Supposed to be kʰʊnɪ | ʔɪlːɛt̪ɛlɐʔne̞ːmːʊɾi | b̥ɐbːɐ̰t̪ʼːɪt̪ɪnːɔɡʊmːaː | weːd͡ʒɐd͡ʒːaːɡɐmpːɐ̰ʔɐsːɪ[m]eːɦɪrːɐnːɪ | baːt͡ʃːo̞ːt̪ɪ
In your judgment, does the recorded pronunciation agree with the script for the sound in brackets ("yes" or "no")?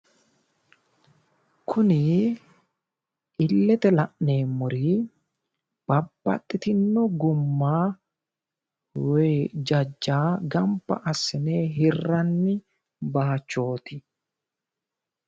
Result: no